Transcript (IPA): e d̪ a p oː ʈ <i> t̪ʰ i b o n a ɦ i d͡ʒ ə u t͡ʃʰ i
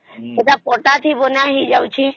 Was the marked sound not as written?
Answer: yes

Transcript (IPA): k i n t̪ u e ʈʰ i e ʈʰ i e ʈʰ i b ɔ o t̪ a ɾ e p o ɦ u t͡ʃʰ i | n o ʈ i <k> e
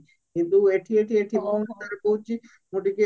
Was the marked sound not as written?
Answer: no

